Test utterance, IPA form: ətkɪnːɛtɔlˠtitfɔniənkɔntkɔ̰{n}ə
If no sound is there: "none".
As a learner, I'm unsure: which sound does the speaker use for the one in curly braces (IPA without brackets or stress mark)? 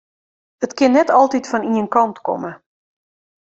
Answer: m